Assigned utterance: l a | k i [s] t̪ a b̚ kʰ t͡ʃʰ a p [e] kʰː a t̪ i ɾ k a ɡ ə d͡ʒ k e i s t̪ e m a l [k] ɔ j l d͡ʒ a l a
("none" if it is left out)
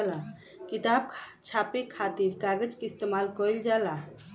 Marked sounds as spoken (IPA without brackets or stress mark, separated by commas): none, e, k